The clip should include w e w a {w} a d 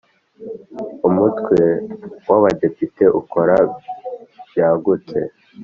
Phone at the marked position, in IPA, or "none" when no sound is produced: β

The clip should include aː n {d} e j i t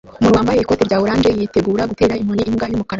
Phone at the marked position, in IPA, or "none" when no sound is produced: d͡ʒ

